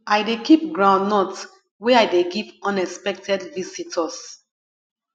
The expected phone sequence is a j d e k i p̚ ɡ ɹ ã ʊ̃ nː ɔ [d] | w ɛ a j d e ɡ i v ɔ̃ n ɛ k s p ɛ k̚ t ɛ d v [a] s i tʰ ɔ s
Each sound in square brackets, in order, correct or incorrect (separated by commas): incorrect, incorrect